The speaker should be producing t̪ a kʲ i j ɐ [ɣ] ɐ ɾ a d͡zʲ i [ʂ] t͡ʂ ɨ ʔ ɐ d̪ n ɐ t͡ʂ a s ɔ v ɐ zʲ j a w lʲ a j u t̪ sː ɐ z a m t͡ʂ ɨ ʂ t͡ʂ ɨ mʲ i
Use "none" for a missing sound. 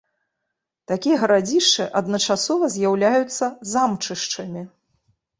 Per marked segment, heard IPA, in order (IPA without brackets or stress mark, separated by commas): ɣ, ʂ